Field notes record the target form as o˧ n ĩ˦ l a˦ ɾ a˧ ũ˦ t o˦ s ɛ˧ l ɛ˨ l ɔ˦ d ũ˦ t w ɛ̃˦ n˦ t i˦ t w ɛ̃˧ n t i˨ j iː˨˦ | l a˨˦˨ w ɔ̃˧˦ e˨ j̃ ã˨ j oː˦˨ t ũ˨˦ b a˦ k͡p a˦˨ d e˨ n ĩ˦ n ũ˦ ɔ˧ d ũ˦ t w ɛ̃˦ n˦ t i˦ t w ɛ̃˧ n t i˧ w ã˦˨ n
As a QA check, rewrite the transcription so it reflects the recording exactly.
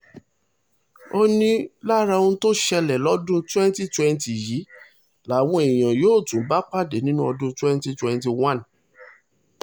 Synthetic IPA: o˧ n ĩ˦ l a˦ ɾ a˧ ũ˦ t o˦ ʃ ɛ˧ l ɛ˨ l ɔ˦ d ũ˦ t w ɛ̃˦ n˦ t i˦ t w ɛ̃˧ n t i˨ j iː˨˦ | l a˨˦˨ w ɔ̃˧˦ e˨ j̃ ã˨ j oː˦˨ t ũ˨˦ b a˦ k͡p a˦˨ d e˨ n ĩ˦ n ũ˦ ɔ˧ d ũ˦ t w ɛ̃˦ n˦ t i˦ t w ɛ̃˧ n t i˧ w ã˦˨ n